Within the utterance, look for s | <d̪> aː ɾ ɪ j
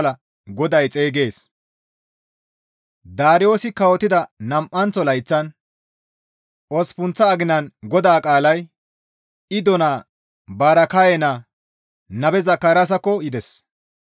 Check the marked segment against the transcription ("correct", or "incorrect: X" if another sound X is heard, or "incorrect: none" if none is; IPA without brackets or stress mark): correct